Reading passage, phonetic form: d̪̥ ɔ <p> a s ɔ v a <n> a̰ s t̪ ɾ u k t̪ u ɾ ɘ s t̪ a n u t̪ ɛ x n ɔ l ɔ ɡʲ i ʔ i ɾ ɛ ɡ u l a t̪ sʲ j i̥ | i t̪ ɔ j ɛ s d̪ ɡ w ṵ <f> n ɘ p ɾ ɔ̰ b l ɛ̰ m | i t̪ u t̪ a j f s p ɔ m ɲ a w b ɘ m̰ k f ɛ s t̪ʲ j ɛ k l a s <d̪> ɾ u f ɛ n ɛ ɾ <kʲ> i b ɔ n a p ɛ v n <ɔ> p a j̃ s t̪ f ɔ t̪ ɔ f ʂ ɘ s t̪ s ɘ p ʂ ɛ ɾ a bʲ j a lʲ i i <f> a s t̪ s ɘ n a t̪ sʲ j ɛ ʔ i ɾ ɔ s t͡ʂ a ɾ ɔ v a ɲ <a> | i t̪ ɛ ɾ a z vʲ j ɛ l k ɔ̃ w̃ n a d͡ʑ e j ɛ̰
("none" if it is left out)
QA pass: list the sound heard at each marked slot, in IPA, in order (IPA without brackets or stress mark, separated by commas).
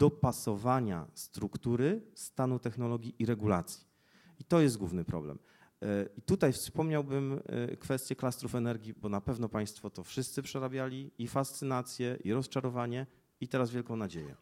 p, ɲ, v, t̪, ɡʲ, ɔ, f, ɛ